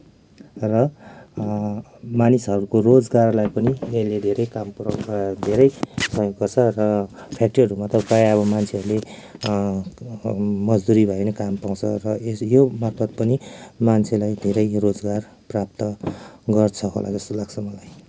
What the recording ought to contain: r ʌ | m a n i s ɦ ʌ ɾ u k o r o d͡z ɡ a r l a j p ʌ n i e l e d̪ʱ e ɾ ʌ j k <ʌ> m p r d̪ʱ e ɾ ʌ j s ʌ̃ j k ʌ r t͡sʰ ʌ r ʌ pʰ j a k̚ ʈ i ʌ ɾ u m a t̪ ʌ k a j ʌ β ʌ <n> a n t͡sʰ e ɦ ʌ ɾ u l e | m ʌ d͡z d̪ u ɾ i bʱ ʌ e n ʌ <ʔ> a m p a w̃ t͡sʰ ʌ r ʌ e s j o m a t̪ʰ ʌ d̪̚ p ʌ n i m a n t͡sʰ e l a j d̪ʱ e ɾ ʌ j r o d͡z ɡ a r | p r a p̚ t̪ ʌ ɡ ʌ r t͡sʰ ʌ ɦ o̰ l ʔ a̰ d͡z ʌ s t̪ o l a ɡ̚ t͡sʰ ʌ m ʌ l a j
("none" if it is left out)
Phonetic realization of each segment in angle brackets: a, m, k

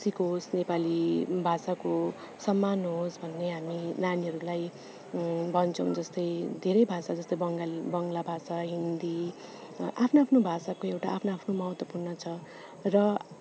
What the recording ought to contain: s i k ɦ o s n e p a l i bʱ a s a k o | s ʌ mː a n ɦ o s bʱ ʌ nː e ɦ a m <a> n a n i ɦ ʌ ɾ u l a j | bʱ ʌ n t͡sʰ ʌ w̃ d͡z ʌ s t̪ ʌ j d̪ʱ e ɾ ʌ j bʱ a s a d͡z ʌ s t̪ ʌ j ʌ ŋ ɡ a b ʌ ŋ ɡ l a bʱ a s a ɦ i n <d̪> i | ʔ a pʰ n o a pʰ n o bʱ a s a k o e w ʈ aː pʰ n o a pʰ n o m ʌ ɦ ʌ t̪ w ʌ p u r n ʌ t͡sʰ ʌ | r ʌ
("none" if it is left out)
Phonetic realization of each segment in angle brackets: i, d̪

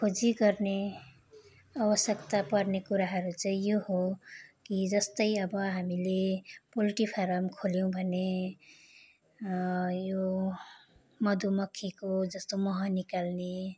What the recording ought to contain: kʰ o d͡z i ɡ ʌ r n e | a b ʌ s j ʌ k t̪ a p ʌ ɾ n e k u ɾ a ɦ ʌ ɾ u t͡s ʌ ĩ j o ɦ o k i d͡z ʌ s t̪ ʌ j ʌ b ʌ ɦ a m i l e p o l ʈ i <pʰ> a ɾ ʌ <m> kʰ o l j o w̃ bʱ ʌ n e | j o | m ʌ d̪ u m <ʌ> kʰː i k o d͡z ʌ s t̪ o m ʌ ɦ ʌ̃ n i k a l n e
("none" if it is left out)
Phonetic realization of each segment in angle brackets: pʰ, m, ʌ

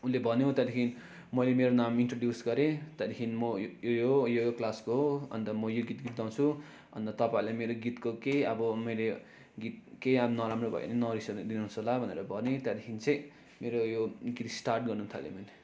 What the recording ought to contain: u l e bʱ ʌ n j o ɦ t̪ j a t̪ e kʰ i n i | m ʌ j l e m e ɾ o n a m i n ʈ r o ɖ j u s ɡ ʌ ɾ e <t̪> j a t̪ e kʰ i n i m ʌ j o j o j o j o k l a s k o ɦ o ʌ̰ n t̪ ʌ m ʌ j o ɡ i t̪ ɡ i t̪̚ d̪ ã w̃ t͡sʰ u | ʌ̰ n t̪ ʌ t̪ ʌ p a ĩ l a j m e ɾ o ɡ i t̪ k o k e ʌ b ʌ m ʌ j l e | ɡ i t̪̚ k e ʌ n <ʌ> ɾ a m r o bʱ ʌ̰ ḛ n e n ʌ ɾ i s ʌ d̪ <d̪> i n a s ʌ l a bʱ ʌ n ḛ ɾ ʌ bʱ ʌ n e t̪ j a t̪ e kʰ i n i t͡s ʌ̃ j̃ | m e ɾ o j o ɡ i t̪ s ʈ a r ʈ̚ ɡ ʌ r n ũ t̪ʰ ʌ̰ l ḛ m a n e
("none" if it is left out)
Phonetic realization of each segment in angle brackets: t̪, ʌ, d̪

